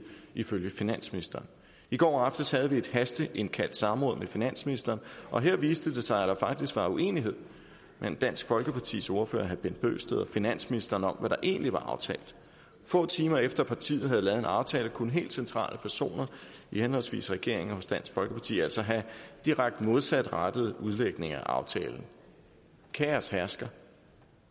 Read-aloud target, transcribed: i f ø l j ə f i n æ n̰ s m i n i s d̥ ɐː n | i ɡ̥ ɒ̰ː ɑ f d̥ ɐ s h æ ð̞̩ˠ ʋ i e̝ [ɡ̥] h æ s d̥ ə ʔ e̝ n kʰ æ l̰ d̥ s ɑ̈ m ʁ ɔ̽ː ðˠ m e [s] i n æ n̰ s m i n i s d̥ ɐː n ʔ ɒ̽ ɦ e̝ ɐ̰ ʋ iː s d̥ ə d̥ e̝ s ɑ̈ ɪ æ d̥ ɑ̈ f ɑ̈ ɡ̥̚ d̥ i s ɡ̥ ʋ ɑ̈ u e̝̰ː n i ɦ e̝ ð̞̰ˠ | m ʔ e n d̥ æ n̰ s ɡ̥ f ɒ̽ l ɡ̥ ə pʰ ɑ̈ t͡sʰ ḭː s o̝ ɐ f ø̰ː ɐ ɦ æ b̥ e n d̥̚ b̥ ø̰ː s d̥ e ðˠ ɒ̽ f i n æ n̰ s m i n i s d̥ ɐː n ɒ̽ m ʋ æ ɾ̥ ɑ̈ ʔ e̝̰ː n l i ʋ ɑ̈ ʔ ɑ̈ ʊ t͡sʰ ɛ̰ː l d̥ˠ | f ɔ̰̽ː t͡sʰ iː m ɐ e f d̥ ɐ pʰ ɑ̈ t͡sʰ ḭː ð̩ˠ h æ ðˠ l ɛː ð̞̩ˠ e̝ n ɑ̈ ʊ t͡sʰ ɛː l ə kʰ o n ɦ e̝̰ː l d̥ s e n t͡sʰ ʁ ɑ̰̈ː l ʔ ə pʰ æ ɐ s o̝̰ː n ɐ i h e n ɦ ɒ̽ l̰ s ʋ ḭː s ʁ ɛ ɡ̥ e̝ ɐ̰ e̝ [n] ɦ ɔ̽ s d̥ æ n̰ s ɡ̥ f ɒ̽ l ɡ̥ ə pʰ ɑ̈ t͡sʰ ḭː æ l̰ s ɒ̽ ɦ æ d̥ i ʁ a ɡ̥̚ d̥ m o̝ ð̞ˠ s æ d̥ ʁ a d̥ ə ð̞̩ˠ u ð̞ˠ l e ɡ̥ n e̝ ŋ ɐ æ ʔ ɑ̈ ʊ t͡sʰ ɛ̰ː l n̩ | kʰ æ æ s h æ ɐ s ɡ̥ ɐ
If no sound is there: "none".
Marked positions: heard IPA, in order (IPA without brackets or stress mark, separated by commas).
d̥, f, ŋ